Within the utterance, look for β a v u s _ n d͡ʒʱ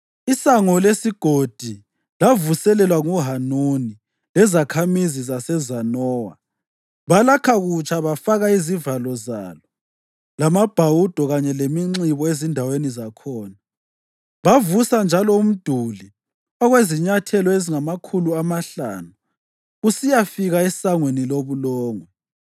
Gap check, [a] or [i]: a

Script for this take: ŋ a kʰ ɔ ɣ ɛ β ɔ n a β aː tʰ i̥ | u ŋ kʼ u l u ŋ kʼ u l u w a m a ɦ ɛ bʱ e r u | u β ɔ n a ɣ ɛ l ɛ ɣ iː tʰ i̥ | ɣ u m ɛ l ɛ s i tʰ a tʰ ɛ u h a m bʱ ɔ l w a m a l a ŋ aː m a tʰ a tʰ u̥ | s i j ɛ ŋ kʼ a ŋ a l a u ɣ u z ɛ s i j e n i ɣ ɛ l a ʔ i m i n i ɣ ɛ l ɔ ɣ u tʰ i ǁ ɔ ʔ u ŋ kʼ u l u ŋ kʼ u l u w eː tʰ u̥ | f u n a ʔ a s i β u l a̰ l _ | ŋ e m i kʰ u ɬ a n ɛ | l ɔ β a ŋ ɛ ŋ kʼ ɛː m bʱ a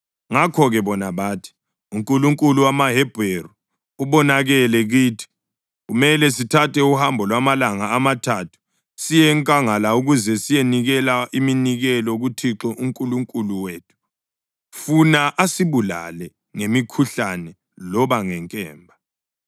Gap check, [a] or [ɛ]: ɛ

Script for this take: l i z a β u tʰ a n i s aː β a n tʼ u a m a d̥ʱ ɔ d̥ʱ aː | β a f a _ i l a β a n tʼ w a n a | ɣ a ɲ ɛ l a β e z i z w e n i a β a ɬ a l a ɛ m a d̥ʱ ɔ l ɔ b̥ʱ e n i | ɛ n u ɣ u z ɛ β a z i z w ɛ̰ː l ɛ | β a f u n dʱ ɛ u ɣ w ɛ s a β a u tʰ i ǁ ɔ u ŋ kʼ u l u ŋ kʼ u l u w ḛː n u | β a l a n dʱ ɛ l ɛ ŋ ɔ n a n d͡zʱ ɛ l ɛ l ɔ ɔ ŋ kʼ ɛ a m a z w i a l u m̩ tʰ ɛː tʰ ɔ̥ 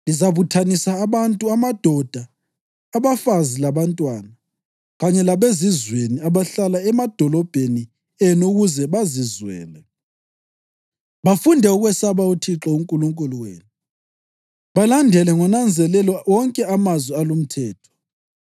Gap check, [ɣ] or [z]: z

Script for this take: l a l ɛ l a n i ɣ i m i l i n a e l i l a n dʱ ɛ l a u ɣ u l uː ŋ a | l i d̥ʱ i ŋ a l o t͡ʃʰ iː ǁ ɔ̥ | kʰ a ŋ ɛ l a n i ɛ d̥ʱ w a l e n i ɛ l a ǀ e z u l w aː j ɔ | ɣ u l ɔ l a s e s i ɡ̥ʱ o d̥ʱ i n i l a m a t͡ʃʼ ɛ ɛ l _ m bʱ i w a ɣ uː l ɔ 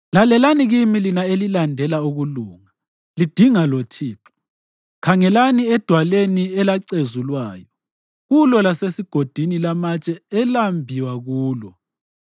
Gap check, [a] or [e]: a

